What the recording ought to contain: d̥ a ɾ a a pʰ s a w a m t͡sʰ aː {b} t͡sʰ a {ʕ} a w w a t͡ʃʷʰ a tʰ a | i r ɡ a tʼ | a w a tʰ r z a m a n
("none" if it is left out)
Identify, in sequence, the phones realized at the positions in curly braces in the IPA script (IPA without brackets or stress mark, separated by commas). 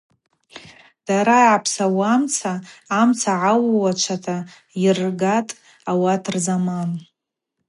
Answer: m, ʕ